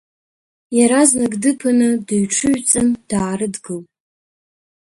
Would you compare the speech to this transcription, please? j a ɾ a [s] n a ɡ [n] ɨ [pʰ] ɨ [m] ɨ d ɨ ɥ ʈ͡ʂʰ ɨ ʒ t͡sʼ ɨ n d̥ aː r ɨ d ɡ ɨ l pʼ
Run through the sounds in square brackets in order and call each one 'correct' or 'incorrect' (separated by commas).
incorrect, incorrect, correct, incorrect